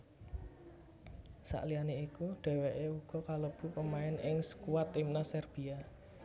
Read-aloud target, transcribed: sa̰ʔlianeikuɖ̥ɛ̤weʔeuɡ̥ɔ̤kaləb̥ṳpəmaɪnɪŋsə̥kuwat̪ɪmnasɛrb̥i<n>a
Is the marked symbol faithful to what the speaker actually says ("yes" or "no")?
no